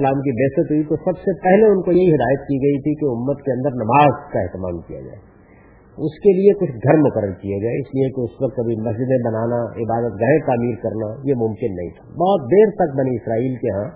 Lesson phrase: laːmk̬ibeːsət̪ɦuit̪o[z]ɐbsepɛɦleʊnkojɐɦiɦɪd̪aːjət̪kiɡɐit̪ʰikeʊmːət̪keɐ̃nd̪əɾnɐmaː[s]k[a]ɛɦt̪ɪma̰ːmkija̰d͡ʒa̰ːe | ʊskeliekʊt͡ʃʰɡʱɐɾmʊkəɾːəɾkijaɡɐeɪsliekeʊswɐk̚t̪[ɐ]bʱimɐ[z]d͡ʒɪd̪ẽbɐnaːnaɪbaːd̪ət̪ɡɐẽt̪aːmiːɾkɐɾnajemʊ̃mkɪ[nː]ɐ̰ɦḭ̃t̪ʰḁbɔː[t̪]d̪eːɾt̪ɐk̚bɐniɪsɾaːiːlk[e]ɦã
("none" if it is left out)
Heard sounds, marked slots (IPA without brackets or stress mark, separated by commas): s, z, a, ɐ, s, nː, t̪, e